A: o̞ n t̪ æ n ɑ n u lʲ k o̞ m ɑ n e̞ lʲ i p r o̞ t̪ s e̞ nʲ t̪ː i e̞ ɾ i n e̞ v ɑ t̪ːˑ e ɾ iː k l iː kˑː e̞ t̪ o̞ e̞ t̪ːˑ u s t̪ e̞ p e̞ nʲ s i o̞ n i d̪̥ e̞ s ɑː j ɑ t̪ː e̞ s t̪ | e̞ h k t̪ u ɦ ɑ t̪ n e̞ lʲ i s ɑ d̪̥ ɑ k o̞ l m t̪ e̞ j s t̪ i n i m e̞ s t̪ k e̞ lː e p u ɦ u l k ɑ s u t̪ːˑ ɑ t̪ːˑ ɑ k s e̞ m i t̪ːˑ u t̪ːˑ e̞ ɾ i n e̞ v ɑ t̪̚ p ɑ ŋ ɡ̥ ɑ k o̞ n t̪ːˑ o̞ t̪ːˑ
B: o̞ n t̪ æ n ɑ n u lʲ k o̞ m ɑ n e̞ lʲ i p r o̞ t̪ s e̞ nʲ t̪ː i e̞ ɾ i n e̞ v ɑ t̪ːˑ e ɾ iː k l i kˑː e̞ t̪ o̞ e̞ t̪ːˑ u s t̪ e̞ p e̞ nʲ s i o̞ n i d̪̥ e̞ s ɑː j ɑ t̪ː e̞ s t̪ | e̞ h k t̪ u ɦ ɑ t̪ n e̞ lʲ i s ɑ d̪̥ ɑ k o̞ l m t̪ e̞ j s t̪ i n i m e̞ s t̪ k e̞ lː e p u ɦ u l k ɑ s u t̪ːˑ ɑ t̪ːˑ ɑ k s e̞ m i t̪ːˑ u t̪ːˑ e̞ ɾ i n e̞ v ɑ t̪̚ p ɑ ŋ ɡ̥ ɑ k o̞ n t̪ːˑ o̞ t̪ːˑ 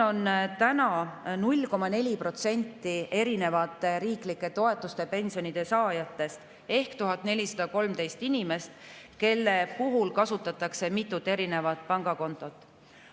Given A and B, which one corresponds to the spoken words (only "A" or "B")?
B